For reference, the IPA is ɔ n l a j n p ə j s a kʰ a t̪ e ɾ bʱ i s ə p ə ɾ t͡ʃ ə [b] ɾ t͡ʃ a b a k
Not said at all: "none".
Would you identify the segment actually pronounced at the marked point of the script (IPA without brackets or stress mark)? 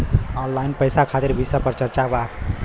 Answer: none